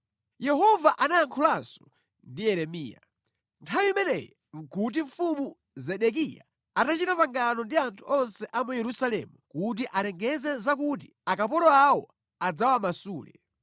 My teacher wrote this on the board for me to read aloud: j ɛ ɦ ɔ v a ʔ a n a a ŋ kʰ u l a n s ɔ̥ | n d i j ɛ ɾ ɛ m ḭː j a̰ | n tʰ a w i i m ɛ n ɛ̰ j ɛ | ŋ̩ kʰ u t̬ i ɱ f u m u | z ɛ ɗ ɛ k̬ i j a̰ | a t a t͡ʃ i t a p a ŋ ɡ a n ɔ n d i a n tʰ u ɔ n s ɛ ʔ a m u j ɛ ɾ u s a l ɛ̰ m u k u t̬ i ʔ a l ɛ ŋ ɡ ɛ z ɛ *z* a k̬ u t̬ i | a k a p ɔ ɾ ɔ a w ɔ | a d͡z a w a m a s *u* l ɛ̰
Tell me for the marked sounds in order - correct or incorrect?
correct, incorrect: uː

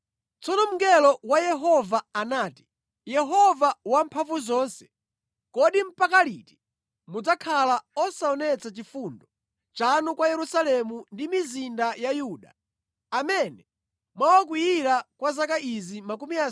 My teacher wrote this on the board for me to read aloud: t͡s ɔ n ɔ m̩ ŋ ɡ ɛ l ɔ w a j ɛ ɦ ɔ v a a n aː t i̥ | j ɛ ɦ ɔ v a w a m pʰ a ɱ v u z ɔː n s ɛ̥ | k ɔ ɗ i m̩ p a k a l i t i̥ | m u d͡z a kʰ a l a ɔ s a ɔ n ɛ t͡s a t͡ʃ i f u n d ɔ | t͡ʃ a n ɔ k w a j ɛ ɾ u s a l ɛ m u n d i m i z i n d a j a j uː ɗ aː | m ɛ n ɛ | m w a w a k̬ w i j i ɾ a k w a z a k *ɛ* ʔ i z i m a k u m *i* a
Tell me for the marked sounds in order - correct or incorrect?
incorrect: a, correct

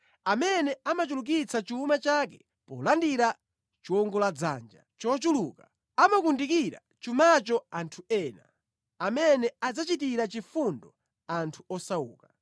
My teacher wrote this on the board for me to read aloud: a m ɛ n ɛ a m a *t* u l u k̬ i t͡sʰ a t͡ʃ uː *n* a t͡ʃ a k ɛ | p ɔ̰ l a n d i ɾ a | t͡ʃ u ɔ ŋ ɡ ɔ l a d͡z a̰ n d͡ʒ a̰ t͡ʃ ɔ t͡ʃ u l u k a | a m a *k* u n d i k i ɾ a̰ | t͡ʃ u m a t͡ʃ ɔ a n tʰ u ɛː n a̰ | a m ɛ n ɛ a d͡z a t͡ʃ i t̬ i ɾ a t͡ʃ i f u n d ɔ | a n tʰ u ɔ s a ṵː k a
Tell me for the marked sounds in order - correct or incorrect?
incorrect: t͡ʃ, incorrect: m, correct

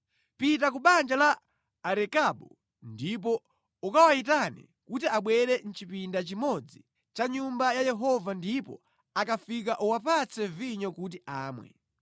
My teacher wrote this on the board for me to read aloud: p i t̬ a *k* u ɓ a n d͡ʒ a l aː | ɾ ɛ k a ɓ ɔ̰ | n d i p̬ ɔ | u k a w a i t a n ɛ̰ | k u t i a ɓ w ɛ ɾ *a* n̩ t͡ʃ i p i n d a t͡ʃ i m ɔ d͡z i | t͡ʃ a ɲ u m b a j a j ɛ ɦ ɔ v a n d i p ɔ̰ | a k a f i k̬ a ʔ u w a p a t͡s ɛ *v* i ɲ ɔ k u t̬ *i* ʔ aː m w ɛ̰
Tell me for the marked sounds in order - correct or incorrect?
correct, incorrect: ɛ, correct, correct

